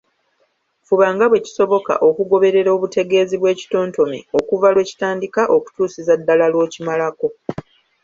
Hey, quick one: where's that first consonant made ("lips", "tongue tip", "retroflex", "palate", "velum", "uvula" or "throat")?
lips